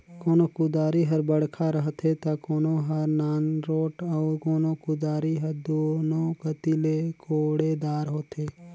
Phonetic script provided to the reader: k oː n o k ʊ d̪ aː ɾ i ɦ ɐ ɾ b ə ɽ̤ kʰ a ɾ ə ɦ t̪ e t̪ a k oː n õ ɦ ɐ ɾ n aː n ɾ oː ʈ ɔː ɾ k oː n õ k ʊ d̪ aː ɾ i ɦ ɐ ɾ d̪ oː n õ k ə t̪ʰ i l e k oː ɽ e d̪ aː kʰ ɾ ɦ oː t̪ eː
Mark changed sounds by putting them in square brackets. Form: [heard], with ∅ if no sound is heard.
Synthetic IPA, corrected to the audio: k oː n o k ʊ d̪ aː ɾ i ɦ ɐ ɾ b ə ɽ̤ kʰ a ɾ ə ɦ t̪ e t̪ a k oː n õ ɦ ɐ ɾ n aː n ɾ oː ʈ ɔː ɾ k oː n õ k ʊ d̪ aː ɾ i ɦ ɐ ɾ d̪ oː n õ k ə [t̪] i l e k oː ɽ e d̪ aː [∅] ɾ ɦ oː t̪ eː